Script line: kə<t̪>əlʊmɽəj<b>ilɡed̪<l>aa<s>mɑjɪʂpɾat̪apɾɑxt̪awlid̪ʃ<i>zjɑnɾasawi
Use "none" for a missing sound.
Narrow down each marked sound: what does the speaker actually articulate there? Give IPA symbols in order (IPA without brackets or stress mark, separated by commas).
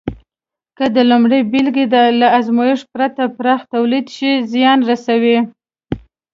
d̪, b, l, z, i